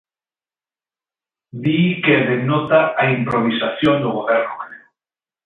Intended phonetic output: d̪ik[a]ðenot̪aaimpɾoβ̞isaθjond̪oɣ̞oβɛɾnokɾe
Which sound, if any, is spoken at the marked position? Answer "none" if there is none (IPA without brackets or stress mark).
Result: e